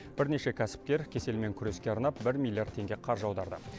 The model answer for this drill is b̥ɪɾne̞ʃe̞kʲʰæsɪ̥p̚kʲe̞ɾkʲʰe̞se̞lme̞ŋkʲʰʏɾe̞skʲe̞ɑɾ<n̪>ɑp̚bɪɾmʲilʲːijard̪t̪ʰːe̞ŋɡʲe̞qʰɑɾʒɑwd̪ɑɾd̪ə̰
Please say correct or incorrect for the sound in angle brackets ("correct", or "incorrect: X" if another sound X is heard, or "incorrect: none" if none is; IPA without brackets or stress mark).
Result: correct